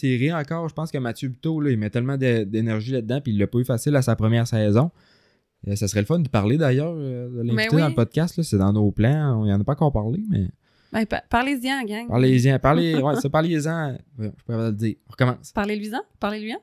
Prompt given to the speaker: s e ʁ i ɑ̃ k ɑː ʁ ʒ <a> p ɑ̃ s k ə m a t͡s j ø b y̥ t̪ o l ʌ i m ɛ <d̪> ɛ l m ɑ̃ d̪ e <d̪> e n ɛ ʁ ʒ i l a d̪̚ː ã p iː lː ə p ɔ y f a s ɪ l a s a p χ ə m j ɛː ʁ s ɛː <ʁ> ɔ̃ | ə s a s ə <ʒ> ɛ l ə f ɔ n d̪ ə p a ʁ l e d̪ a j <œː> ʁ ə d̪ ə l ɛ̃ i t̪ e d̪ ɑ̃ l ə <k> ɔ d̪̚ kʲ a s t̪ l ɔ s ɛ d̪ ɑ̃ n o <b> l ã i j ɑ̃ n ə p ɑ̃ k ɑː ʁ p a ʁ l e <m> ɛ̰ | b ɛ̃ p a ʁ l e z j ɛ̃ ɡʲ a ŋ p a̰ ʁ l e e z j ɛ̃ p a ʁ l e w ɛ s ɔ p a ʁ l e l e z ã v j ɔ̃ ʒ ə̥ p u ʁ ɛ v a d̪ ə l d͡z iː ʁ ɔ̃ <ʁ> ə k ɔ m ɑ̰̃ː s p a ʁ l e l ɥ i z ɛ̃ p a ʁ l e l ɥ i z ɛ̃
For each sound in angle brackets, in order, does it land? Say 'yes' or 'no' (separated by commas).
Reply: no, no, yes, no, no, yes, no, no, yes, yes